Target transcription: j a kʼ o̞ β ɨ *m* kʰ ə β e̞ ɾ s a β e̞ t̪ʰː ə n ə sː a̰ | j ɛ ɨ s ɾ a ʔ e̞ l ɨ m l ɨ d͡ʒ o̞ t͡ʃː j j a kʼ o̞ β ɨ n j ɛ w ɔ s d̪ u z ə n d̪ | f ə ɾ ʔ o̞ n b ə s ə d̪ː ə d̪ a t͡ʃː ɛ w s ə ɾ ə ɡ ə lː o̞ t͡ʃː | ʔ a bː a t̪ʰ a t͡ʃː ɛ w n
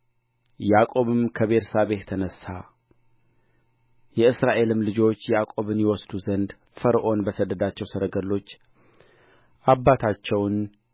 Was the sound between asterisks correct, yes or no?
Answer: yes